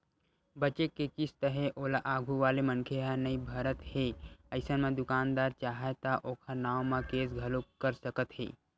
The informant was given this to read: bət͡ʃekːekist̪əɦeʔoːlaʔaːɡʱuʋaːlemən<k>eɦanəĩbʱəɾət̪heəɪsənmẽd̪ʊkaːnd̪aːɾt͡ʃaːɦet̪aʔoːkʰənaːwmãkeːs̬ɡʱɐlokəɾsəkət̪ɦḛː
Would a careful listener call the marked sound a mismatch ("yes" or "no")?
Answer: yes